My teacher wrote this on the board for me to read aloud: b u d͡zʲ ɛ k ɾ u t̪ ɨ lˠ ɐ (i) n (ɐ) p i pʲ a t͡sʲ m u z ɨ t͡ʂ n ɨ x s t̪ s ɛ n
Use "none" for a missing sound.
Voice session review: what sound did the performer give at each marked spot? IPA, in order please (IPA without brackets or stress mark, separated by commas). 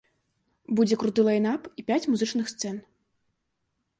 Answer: j, a